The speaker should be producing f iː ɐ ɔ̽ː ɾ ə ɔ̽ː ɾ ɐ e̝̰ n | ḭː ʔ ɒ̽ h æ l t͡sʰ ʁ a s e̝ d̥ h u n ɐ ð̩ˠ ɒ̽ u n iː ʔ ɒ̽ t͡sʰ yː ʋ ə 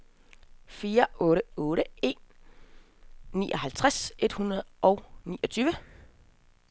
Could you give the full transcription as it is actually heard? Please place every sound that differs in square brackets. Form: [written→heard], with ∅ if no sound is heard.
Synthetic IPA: f iː ɐ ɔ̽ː ɾ ə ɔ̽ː ɾ [ɐ→ə] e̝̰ n | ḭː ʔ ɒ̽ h æ l t͡sʰ ʁ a s e̝ d̥ h u n ɐ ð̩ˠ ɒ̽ [u→ʊ] n iː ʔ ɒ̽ t͡sʰ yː ʋ ə